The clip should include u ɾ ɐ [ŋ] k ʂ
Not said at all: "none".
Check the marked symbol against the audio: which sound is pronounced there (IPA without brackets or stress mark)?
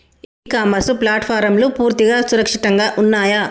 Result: none